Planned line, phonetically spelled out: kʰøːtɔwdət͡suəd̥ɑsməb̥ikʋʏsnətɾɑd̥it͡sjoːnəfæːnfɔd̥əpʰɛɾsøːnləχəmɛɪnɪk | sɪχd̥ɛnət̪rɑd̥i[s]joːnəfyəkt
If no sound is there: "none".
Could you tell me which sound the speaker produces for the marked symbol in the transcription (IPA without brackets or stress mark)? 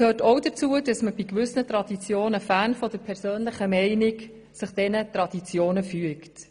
t͡s